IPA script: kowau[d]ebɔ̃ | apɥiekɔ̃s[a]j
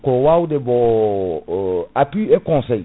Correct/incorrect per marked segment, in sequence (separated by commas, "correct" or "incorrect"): correct, incorrect